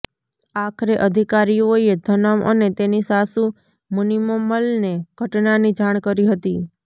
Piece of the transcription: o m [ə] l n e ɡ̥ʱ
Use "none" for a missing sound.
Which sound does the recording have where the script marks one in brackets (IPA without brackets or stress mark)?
ə